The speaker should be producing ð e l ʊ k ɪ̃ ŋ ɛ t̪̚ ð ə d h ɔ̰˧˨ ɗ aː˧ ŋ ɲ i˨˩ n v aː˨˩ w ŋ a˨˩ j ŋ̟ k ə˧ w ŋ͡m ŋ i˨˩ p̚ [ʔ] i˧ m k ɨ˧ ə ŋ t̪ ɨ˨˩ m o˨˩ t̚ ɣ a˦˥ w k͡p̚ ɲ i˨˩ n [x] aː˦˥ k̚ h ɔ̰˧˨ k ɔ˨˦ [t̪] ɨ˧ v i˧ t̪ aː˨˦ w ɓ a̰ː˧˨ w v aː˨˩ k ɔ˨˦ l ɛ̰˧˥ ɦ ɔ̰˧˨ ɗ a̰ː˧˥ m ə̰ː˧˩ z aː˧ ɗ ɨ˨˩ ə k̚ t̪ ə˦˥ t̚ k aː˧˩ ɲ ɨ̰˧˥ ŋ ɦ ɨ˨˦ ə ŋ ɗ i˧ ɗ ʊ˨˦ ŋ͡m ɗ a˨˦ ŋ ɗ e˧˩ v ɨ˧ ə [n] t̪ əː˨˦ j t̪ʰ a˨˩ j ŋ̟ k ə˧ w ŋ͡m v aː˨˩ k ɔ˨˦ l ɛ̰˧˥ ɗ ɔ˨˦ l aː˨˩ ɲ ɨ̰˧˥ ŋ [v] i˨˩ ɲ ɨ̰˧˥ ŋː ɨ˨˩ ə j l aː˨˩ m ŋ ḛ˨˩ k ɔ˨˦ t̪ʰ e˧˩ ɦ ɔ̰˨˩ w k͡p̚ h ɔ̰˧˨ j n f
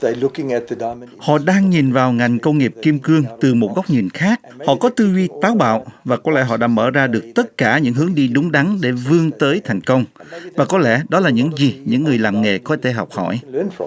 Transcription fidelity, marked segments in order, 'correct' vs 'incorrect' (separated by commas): incorrect, correct, correct, incorrect, incorrect